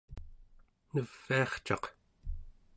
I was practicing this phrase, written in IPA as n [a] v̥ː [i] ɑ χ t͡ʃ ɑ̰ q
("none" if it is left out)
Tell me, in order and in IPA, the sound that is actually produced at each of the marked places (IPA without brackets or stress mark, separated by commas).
ə, i